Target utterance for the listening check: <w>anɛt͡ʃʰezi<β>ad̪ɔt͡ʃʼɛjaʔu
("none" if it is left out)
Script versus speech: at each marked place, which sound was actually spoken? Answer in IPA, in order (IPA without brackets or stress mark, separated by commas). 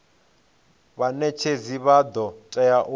β, β